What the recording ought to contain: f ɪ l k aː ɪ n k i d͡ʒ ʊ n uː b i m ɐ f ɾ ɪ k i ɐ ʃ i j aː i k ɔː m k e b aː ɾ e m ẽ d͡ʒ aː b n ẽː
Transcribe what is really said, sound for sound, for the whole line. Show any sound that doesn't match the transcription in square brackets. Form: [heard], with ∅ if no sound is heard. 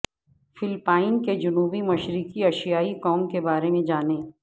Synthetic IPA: f ɪ l [p] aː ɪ n k [e] d͡ʒ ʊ n uː b i m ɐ [ʃ] ɾ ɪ k i ɐ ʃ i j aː i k ɔː m k e b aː ɾ e m ẽ d͡ʒ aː [∅] n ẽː

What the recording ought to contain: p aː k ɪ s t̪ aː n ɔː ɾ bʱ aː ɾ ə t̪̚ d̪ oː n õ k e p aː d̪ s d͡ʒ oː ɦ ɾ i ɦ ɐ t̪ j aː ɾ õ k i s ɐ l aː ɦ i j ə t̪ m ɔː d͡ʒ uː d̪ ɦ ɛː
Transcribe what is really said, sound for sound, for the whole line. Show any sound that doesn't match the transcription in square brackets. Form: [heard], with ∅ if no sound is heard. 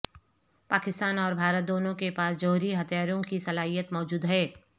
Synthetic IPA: p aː k ɪ s t̪ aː n ɔː ɾ bʱ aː ɾ ə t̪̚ d̪ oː n õ k e p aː [∅] s d͡ʒ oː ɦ ɾ i ɦ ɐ t̪ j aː ɾ õ k i s ɐ l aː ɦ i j ə t̪ m ɔː d͡ʒ uː d̪ ɦ ɛː

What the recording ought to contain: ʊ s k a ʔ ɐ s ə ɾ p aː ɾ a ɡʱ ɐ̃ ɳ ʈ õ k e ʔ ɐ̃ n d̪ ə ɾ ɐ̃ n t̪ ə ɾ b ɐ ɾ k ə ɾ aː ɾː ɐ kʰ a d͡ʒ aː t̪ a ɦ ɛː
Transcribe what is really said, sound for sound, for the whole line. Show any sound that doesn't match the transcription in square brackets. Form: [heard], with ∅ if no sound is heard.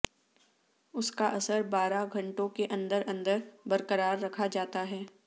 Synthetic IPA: ʊ s k a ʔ ɐ s ə ɾ [b] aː ɾ a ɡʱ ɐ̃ ɳ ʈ õ k e ʔ ɐ̃ n d̪ ə ɾ ɐ̃ n [d̪] ə ɾ b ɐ ɾ k ə ɾ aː ɾː ɐ kʰ a d͡ʒ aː t̪ a ɦ ɛː

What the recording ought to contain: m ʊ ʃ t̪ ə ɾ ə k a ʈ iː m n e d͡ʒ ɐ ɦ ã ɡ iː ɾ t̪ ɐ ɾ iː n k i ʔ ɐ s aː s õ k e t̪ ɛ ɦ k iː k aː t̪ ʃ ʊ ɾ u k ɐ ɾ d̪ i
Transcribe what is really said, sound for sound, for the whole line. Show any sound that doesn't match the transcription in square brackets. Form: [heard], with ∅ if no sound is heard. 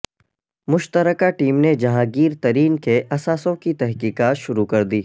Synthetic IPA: m ʊ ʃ t̪ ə ɾ ə k a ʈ iː m n e d͡ʒ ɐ ɦ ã ɡ iː ɾ t̪ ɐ ɾ iː n k [e] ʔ ɐ s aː s õ k [i] t̪ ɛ ɦ k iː k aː t̪ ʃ ʊ ɾ u k ɐ ɾ d̪ [iː]

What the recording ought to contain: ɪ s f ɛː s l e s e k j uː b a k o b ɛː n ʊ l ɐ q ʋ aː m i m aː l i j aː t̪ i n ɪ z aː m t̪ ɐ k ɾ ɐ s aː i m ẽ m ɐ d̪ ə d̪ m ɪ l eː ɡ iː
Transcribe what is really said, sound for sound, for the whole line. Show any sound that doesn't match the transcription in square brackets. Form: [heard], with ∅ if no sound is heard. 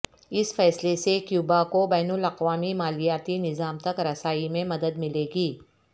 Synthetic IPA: ɪ s f ɛː s l e s e k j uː b a k o b ɛː n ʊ l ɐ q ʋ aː m i m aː l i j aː t̪ i n ɪ z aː m t̪ ɐ k ɾ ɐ s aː i m ẽ m ɐ d̪ ə d̪ m ɪ l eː ɡ iː

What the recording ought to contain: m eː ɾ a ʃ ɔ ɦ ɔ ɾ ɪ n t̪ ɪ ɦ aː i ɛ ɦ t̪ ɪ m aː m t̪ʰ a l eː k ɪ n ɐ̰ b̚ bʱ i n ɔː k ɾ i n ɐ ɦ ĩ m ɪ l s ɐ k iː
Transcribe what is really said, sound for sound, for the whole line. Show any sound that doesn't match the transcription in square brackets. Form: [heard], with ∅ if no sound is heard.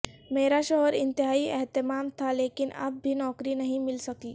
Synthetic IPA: m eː ɾ a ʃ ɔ ɦ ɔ ɾ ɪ n t̪ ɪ ɦ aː i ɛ ɦ t̪ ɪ m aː m t̪ʰ a l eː k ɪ n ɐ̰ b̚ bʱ i n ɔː k ɾ i n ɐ ɦ ĩ m ɪ l s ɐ k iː

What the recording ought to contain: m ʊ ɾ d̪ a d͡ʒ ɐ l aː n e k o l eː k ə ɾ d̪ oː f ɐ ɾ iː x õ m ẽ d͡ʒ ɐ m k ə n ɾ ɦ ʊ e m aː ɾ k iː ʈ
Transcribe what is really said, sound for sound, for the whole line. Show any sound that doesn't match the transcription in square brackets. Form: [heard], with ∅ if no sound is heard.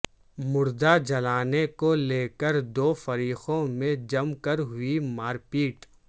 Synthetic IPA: m ʊ ɾ d̪ a d͡ʒ ɐ l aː n e k o l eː k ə ɾ d̪ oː f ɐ ɾ iː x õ m ẽ d͡ʒ ɐ m k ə [∅] ɾ ɦ ʊ [i] m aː ɾ [p] iː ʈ

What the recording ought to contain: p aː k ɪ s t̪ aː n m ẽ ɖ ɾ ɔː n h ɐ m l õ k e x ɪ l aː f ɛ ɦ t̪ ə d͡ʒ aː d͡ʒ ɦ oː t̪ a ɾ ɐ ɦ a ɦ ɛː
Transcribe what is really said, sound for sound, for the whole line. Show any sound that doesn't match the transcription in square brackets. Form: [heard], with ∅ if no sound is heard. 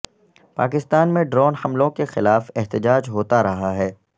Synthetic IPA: p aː k ɪ s t̪ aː n m ẽ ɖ ɾ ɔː n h ɐ m l õ k e x ɪ l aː f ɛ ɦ t̪ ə d͡ʒ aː d͡ʒ ɦ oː t̪ a ɾ ɐ ɦ a ɦ ɛː

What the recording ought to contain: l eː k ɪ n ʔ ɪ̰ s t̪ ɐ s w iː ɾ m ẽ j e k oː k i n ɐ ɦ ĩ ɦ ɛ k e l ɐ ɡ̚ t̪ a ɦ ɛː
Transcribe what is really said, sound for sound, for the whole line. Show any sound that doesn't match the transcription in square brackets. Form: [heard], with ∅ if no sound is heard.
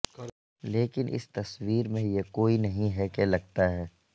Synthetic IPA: l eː k ɪ n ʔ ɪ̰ s t̪ ɐ s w iː ɾ m ẽ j e k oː [∅] i n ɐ ɦ ĩ ɦ ɛ k e l ɐ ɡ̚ t̪ a ɦ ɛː

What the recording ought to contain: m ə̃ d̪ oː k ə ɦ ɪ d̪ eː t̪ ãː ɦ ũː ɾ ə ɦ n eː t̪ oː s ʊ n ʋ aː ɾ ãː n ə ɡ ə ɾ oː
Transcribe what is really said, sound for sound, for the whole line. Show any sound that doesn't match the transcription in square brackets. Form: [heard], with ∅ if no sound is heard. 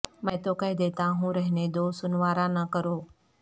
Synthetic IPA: m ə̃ [t̪] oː k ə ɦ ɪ d̪ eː t̪ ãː ɦ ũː ɾ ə ɦ n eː [d̪] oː s ʊ n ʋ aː ɾ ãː n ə [k] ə ɾ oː

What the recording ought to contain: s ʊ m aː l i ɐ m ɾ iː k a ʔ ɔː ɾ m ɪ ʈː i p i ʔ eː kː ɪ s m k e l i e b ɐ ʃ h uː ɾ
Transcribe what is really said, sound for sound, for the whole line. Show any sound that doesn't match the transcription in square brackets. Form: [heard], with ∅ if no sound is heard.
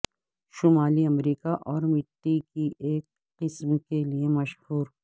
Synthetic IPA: [ʃ] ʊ m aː l i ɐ m ɾ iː k a ʔ ɔː ɾ m ɪ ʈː i [k] i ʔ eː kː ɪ s m k e l i e [m] ɐ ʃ h uː ɾ

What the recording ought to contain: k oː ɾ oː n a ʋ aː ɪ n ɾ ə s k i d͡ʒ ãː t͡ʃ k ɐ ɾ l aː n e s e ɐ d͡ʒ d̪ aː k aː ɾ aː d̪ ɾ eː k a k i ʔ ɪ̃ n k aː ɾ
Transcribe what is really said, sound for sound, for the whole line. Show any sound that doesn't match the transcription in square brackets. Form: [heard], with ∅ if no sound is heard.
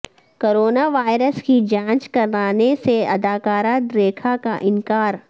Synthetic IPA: k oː ɾ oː n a ʋ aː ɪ [∅] ɾ ə s k i d͡ʒ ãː t͡ʃ k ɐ ɾ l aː n e s e ɐ [∅] d̪ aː k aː ɾ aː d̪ ɾ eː [kʰ] a k [a] ʔ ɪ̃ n k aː ɾ

